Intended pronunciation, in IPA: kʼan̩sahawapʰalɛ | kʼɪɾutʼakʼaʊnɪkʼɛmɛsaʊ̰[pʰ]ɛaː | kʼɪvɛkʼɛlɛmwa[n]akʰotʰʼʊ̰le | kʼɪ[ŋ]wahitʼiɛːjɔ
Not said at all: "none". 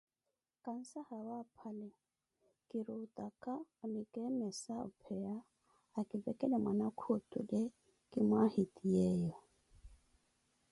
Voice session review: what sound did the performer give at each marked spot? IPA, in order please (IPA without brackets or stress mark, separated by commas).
pʰ, n, m